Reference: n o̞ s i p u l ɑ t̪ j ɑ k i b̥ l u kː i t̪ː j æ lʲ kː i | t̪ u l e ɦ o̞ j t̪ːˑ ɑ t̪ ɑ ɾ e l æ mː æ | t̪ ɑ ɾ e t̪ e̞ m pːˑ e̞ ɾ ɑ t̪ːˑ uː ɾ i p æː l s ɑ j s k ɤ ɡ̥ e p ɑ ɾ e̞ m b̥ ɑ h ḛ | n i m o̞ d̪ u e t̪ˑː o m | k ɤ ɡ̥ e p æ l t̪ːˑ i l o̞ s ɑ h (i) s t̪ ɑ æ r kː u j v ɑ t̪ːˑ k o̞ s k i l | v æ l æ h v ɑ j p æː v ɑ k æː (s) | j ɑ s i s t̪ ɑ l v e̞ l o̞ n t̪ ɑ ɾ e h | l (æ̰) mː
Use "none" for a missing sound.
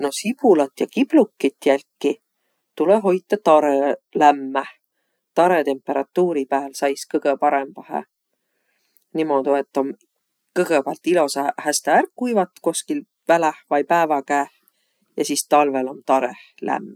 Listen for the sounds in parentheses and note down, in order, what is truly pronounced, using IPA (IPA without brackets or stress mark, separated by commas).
æ, h, æ̰